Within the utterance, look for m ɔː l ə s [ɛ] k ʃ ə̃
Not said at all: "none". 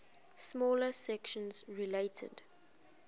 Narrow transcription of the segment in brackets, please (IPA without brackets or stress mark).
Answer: ɛ